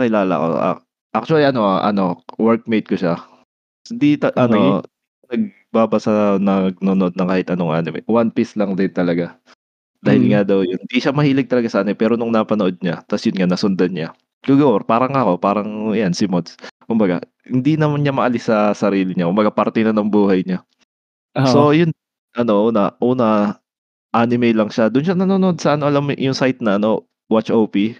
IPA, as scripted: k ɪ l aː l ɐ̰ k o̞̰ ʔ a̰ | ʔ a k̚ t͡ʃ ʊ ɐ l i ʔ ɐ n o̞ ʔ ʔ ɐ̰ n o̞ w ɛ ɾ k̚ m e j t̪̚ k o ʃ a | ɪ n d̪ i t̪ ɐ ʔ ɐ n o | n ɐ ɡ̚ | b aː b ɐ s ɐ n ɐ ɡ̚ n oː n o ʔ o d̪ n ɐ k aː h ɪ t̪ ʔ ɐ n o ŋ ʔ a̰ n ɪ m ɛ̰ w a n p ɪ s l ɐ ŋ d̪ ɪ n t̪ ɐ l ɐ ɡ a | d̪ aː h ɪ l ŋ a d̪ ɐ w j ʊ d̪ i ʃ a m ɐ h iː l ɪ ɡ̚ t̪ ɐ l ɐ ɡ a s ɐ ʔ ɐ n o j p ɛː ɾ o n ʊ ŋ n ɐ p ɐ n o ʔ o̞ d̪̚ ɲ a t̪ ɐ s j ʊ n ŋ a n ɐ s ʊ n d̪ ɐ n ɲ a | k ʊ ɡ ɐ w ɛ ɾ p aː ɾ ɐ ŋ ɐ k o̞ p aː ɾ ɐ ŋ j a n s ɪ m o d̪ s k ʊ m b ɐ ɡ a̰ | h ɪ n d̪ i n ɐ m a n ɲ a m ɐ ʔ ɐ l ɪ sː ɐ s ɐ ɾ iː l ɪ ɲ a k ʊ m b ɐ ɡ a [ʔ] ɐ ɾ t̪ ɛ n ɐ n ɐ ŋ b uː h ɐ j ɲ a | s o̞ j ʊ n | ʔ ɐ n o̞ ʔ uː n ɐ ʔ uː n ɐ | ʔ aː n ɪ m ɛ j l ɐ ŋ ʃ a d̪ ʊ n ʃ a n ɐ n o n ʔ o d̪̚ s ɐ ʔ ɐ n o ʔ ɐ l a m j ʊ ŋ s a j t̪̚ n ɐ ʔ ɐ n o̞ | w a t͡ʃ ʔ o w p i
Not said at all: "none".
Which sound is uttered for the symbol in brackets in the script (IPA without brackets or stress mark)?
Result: p